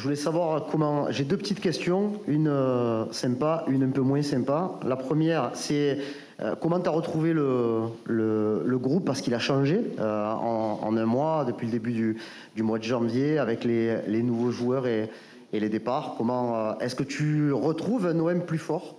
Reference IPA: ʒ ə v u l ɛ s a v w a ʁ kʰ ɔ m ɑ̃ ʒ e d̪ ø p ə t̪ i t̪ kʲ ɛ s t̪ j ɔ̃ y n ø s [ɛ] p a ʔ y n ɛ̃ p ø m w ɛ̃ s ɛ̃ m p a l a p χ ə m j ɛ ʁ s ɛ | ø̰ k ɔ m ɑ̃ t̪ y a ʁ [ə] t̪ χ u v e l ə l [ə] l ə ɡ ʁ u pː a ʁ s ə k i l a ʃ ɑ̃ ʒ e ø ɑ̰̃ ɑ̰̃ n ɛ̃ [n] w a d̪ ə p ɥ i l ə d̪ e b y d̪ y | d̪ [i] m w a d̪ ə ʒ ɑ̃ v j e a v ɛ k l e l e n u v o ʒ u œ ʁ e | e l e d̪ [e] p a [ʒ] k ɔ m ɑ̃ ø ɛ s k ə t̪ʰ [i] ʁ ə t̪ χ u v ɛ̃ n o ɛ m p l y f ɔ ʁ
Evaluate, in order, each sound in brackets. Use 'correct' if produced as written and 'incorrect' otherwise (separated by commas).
incorrect, correct, correct, incorrect, incorrect, correct, incorrect, incorrect